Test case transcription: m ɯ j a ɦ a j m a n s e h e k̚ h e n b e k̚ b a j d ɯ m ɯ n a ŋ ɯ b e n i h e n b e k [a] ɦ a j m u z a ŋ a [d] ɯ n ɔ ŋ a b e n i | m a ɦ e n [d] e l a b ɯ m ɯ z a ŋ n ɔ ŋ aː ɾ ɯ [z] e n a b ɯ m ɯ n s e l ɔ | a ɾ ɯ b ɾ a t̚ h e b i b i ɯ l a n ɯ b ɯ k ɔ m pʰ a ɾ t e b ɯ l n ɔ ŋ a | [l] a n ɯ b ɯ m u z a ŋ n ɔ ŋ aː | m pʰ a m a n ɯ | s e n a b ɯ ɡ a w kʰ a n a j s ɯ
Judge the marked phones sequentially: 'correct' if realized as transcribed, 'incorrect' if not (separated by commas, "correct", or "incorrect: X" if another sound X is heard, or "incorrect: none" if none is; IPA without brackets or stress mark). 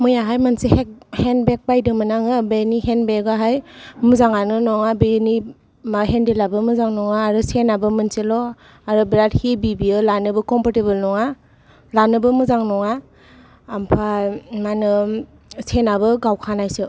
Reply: correct, incorrect: n, correct, incorrect: s, correct